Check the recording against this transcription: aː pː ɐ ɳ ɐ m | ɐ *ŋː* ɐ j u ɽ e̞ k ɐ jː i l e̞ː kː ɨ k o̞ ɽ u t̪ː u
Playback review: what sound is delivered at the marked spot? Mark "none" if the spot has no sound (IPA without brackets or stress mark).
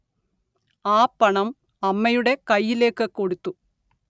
mː